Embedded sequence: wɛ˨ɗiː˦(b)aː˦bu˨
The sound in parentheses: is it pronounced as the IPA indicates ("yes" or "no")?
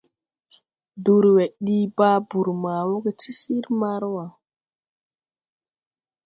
yes